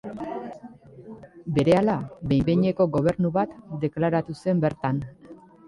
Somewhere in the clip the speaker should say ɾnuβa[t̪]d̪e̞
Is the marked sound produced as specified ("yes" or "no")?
yes